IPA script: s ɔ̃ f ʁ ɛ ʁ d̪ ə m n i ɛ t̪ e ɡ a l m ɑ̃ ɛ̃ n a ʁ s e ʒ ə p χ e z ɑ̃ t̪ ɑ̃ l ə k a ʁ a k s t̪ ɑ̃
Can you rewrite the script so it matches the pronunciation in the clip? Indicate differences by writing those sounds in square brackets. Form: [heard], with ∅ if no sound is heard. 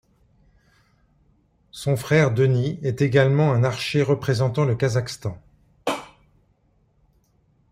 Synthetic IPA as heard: s ɔ̃ f [χ] ɛ ʁ d̪ ə [∅] n i ɛ t̪ e ɡ a l m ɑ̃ ɛ̃ n a ʁ [ʃ] e [ʁ] ə p χ e z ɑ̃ t̪ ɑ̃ l ə k a [z] a k s t̪ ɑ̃

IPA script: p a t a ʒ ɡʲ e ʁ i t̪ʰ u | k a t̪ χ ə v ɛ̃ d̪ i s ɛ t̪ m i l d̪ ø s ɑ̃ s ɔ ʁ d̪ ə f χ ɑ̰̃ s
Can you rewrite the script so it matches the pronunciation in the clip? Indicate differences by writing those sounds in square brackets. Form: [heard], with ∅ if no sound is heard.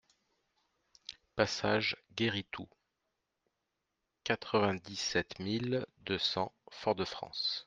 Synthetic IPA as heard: p a [s] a ʒ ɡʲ e ʁ i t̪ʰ u | k a t̪ χ ə v ɛ̃ d̪ i s ɛ t̪ m i l d̪ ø s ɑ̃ [f] ɔ ʁ d̪ ə f χ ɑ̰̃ s

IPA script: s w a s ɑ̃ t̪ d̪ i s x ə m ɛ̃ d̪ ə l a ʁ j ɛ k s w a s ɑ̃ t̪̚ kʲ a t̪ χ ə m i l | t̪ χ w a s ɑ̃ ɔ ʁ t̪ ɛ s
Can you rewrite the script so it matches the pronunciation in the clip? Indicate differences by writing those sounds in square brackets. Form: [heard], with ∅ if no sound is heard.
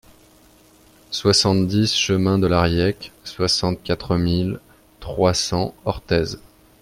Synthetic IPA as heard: s w a s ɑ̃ t̪ d̪ i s [ʃ] ə m ɛ̃ d̪ ə l a ʁ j ɛ k s w a s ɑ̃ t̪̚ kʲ a t̪ χ ə m i l | t̪ χ w a s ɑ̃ ɔ ʁ t̪ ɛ [z]

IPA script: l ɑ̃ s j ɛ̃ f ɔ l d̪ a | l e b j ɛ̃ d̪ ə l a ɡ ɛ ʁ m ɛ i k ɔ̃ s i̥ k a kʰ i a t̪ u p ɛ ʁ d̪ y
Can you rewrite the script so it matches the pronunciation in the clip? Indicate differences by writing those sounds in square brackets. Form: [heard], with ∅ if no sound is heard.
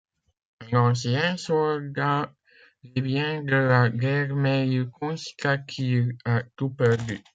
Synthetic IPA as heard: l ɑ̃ s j ɛ̃ [s] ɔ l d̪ a | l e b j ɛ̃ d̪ ə l a ɡ ɛ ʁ m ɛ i k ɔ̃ s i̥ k a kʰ i a t̪ u p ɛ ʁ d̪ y

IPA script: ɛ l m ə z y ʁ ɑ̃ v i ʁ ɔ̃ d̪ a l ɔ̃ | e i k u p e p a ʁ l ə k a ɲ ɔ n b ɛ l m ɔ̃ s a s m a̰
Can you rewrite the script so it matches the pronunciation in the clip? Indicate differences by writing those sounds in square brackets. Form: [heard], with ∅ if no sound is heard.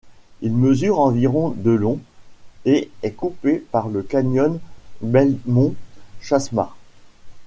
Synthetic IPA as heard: [i] l m ə z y ʁ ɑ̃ v i ʁ ɔ̃ d̪ [ə] l ɔ̃ | e [ɛ] k u p e p a ʁ l ə k a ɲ ɔ n b ɛ l m ɔ̃ [ʃ] a s m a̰

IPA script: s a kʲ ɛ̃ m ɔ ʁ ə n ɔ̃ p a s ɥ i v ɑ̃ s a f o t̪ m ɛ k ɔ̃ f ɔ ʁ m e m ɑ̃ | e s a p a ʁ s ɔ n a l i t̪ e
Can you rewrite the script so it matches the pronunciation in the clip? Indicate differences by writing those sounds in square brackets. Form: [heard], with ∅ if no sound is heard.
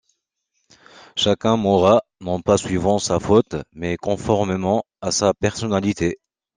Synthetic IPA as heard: [ʃ] a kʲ ɛ̃ m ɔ ʁ [a] n ɔ̃ p a s ɥ i v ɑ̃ s a f o t̪ m ɛ k ɔ̃ f ɔ ʁ m e m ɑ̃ | [a] s a p [ɛ] ʁ s ɔ n a l i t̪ e

